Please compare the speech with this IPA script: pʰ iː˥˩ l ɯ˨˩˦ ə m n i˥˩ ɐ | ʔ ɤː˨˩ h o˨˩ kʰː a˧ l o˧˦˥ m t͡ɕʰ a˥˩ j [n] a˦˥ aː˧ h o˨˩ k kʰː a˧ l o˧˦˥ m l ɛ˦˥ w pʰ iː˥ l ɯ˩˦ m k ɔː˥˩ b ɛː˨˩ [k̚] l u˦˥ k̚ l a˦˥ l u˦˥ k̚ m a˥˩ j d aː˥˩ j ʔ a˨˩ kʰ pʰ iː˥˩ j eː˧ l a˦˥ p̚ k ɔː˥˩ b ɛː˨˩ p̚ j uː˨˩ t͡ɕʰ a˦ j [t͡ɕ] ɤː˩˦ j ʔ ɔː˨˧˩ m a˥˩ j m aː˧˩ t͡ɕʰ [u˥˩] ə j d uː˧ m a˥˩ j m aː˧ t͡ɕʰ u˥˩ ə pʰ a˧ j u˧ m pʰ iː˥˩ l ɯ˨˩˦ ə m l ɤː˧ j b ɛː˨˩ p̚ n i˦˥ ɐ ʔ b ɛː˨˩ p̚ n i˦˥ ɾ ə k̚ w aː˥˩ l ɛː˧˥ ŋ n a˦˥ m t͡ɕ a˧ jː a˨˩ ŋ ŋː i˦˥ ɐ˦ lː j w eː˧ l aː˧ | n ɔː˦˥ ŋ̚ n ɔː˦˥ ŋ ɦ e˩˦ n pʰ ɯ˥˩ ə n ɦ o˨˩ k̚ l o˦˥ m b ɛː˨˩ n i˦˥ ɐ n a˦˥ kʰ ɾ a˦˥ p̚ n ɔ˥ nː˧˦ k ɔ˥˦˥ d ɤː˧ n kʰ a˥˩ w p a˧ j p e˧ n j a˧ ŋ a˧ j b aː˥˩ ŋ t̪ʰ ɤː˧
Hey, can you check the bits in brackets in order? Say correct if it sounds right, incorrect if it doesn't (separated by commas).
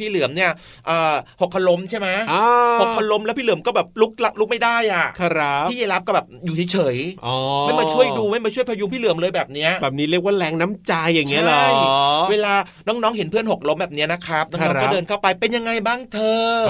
incorrect, incorrect, incorrect, correct